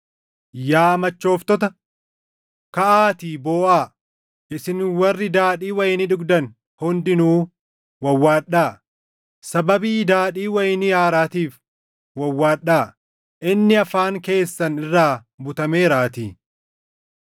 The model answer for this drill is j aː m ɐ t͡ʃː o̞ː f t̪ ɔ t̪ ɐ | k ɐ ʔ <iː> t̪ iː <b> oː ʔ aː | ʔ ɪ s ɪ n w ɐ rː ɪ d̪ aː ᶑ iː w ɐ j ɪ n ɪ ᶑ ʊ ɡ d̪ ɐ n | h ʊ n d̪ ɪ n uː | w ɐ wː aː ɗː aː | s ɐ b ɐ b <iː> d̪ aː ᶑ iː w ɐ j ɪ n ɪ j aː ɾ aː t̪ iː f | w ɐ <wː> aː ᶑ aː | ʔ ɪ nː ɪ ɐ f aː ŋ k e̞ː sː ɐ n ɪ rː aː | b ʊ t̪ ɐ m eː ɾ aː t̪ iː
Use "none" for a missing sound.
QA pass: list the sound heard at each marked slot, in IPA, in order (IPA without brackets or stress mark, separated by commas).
aː, b, iː, wː